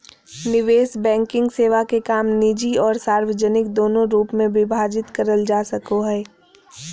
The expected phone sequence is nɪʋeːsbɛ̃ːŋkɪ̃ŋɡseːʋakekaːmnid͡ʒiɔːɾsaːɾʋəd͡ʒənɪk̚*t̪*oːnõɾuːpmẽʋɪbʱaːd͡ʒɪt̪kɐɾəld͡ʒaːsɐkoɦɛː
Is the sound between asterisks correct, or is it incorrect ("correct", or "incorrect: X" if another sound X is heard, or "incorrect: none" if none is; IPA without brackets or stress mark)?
incorrect: d̪